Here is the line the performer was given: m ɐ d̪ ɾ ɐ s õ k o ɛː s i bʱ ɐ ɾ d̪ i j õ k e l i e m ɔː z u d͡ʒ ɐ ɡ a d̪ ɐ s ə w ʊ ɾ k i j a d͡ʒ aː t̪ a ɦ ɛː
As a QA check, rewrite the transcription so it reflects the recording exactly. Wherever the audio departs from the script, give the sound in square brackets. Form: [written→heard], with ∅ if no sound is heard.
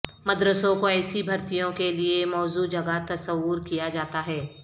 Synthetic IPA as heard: m ɐ d̪ ɾ [ɐ→ə] s õ k o ɛː s i bʱ ɐ ɾ [d̪→t̪] i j õ k e l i e m ɔː z u d͡ʒ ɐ ɡ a [d̪→t̪] ɐ s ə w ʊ ɾ k i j a d͡ʒ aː t̪ a ɦ ɛː